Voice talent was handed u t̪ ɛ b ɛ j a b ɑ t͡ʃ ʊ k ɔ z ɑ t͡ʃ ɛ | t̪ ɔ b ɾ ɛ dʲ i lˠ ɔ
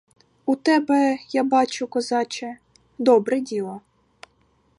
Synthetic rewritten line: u t̪ ɛ b ɛ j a b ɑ t͡ʃ ʊ k ɔ z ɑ t͡ʃ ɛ | d̪ ɔ b ɾ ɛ dʲ i lˠ ɔ